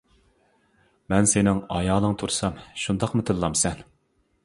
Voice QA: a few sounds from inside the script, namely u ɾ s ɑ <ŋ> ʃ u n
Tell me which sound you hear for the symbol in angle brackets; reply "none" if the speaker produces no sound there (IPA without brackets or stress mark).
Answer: m